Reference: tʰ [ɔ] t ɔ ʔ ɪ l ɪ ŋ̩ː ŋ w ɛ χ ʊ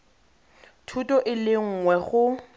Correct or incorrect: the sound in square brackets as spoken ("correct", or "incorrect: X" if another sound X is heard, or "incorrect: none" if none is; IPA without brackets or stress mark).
incorrect: u